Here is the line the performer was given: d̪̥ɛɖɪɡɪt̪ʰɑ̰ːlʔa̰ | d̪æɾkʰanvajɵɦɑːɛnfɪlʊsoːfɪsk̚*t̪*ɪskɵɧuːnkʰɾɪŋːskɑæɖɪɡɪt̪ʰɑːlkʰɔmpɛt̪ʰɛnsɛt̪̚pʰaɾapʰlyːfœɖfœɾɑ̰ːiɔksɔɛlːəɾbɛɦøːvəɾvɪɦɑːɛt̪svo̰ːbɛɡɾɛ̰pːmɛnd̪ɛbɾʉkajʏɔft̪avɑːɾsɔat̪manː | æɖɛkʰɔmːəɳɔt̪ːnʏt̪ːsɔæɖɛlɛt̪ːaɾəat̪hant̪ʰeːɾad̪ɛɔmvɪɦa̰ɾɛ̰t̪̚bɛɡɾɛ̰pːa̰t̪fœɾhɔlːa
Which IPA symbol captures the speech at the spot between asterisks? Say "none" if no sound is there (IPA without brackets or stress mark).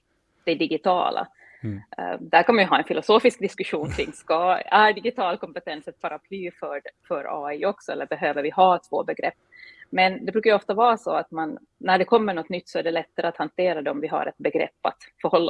d̪